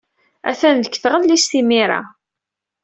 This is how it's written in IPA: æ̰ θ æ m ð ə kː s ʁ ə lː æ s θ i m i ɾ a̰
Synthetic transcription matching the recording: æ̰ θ æ n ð ə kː θ ʁ ə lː i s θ i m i ɾ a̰